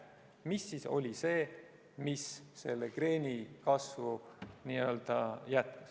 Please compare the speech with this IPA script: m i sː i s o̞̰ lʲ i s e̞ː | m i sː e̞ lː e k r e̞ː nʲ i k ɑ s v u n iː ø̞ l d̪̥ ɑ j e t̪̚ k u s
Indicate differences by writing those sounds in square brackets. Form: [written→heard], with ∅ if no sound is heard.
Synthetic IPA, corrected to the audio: m i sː i s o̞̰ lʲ i s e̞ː | m i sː e̞ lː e k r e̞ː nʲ i k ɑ s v u n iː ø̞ l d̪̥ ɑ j [e→æ] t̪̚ k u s

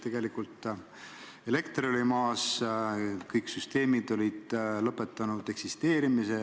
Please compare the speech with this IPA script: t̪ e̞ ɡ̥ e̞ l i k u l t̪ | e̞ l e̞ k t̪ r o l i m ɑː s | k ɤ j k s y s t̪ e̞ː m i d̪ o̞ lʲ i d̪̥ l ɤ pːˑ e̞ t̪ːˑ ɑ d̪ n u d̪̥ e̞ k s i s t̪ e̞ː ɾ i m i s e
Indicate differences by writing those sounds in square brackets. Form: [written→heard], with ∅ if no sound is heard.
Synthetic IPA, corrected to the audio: t̪ e̞ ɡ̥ e̞ l i k u l t̪ | e̞ l e̞ k t̪ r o l i m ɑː s | k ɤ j k s y s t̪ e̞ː m i d̪ o̞ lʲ i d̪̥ l ɤ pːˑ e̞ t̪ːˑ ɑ [d̪→∅] n u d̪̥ e̞ k s i s t̪ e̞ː ɾ i m i s e

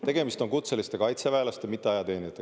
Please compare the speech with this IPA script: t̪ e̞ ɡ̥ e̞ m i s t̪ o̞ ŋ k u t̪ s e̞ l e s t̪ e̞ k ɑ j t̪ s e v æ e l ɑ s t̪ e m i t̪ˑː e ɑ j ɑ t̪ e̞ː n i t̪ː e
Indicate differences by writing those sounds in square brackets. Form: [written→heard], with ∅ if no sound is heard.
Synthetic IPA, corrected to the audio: t̪ e̞ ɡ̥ e̞ m i s t̪ o̞ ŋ k u t̪ s e̞ l [e→i] s t̪ e̞ k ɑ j t̪ s e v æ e l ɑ s t̪ e m i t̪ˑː e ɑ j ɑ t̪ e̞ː n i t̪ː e

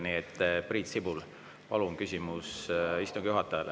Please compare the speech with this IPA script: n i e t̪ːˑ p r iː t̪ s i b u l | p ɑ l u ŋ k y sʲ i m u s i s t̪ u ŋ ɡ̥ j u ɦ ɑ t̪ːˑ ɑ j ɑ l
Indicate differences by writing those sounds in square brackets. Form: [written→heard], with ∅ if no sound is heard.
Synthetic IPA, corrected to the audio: n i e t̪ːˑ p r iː t̪ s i b u l | p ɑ l u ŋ k y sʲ i m u s i s t̪ u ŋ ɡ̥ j u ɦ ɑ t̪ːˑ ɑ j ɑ l

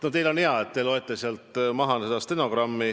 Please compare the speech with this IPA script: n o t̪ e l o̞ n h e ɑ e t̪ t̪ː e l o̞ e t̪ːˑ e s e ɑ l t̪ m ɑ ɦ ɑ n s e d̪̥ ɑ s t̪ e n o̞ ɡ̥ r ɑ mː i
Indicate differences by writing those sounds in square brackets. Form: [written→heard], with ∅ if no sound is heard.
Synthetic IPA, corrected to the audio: n o t̪ e l o̞ n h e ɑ e t̪ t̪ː e l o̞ e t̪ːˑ e s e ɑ l t̪ m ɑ ɦ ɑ n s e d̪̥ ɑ s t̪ e n o̞ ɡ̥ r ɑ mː i

